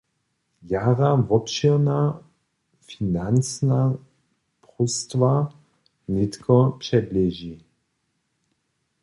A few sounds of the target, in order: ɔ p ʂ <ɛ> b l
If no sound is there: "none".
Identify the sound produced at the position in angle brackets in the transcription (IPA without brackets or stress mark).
ɛ